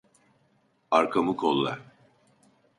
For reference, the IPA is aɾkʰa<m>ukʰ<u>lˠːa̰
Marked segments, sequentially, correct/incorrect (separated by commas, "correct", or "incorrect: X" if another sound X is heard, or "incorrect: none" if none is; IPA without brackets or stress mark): correct, incorrect: o